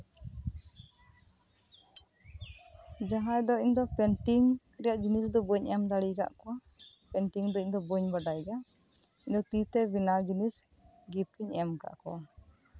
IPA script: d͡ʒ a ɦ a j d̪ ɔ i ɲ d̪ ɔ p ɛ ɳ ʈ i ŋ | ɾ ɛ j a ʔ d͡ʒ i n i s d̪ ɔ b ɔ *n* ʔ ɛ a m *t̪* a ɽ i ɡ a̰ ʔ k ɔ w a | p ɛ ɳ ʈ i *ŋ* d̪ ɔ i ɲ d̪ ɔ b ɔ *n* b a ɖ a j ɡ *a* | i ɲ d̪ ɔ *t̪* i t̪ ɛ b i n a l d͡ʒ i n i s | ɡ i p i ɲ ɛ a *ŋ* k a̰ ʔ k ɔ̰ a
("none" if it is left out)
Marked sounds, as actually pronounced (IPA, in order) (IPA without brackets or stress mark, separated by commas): ɲ, d̪, ŋ, ɲ, a, t̪, m